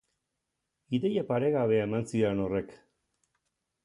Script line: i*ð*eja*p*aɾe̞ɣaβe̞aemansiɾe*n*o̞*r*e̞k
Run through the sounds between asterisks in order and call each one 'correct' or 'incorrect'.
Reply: correct, correct, correct, correct

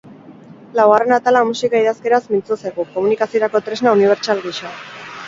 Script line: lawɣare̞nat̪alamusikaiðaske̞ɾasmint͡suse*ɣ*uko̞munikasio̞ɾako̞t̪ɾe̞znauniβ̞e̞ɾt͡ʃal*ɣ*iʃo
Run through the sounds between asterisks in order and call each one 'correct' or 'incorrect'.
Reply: correct, correct

